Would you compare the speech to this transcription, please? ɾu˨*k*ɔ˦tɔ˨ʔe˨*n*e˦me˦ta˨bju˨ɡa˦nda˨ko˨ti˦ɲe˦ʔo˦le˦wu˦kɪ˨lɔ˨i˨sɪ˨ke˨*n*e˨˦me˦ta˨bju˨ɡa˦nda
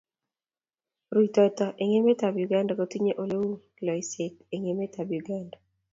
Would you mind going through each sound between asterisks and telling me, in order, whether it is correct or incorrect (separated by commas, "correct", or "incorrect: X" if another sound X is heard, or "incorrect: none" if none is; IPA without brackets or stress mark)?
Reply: incorrect: t, incorrect: ŋ, incorrect: ŋ